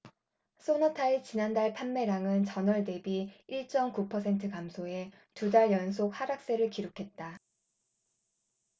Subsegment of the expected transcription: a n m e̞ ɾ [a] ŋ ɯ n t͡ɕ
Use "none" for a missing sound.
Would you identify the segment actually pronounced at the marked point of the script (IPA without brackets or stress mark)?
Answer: a